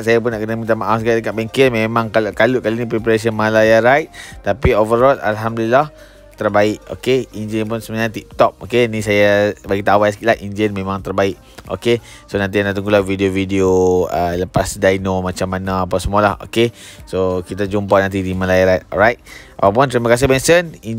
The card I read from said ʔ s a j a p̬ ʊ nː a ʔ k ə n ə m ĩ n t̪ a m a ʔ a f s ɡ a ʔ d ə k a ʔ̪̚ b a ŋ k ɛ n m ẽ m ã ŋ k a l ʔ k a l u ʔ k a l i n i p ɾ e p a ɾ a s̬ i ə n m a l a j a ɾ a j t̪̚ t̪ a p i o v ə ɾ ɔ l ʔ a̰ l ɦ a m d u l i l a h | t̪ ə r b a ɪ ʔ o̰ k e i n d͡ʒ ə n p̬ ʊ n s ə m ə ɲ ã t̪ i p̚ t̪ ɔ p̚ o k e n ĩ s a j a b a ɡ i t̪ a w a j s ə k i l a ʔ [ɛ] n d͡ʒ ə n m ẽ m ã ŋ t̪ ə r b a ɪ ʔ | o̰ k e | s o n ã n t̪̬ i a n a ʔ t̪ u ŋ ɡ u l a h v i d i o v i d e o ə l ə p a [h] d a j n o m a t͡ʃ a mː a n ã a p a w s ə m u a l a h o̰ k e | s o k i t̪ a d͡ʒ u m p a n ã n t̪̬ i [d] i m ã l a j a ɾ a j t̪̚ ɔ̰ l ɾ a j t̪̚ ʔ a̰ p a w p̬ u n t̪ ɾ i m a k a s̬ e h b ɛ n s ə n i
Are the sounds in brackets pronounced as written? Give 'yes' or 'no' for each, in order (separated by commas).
no, no, yes